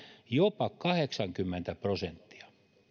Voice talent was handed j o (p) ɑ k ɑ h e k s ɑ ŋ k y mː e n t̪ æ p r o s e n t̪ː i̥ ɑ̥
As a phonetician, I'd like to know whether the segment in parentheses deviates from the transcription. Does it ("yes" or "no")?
no